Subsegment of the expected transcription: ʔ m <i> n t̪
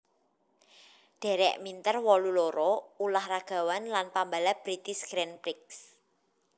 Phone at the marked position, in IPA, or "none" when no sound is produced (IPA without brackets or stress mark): i